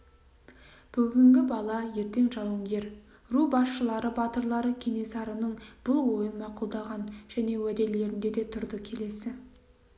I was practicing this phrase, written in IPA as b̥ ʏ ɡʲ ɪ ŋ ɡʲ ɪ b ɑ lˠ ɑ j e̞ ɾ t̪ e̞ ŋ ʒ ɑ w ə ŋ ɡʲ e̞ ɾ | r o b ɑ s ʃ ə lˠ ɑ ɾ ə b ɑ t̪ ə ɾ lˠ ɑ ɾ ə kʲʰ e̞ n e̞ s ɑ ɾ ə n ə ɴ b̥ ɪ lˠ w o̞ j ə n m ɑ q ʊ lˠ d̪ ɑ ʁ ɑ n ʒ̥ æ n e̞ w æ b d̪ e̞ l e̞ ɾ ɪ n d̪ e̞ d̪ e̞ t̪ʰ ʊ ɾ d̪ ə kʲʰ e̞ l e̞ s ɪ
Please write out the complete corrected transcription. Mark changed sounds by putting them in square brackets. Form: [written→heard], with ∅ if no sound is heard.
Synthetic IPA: b̥ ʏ ɡʲ ɪ ŋ ɡʲ ɪ b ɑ lˠ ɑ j e̞ ɾ t̪ e̞ ŋ ʒ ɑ w ə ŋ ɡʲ e̞ ɾ | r [o→u] b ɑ s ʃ ə lˠ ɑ ɾ ə b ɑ t̪ ə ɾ lˠ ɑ ɾ ə kʲʰ e̞ n e̞ s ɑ ɾ ə n ə ɴ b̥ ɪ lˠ w o̞ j ə n m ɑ q ʊ lˠ d̪ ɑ ʁ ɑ n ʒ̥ æ n e̞ w æ [b→∅] d̪ e̞ l e̞ ɾ ɪ n d̪ e̞ d̪ e̞ t̪ʰ ʊ ɾ d̪ ə kʲʰ e̞ l e̞ s ɪ